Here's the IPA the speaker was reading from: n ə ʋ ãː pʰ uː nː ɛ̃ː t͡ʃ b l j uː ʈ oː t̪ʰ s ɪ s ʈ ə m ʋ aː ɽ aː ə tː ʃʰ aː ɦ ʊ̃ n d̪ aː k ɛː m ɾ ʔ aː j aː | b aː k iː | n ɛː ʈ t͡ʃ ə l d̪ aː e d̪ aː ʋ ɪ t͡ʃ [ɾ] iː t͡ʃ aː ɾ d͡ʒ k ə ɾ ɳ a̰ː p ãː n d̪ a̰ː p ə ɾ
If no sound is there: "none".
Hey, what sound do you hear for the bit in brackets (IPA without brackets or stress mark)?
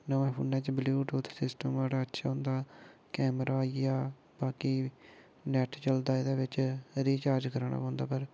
ɾ